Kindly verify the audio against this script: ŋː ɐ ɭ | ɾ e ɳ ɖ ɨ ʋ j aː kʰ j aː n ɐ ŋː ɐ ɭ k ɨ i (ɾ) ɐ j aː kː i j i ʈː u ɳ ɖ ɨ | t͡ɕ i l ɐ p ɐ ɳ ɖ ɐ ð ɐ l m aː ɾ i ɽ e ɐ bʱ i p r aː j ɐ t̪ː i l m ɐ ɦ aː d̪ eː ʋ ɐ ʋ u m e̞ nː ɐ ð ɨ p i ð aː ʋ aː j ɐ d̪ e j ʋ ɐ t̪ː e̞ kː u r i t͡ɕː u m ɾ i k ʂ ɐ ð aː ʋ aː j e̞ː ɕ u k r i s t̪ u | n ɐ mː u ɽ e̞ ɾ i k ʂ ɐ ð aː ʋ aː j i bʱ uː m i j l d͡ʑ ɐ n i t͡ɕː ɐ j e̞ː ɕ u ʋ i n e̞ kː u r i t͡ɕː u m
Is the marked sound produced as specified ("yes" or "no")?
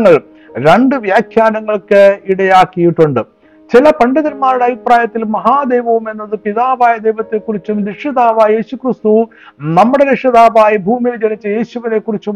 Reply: no